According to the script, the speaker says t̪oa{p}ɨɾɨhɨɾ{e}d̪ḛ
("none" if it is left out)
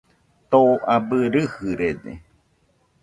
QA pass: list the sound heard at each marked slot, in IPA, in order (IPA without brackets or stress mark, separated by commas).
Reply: b, e